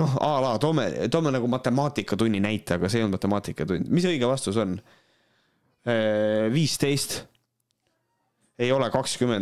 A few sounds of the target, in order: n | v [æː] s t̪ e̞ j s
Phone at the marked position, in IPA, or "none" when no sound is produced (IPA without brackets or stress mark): iː